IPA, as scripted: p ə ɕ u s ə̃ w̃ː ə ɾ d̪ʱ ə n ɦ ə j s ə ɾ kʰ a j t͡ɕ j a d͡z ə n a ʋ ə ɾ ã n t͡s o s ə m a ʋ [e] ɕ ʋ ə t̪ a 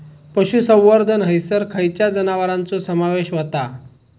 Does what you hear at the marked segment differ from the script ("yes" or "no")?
no